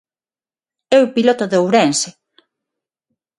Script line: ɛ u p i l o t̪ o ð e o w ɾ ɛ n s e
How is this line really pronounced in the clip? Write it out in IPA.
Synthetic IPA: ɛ w p i l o t̪ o ð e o w ɾ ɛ n s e